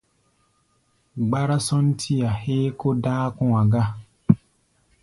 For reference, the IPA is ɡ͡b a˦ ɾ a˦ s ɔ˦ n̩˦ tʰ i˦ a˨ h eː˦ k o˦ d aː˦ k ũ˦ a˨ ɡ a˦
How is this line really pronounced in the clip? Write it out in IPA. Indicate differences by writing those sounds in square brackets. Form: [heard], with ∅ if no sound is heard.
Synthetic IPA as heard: ɡ͡b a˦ ɾ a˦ s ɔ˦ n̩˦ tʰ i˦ a˨ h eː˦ k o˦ d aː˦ k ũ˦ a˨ ɡ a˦